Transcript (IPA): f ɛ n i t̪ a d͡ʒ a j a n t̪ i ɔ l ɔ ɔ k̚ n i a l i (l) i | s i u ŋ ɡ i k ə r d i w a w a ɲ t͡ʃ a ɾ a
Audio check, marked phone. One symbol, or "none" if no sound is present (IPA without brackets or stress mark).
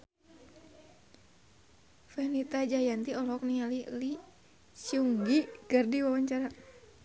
l